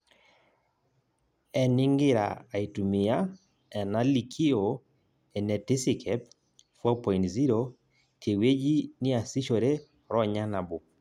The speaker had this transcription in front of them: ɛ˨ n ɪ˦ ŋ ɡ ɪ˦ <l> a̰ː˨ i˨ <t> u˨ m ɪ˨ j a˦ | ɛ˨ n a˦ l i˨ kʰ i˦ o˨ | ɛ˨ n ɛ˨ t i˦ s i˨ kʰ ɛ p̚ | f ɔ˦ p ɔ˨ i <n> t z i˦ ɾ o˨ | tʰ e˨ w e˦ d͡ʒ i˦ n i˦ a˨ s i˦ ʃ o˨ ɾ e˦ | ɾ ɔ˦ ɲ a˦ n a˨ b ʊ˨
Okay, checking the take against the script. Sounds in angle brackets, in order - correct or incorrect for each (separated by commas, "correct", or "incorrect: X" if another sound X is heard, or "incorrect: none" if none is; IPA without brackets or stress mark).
incorrect: ɾ, correct, correct